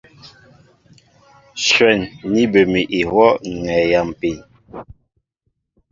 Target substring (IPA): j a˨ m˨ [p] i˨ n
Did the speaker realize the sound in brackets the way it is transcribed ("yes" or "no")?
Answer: yes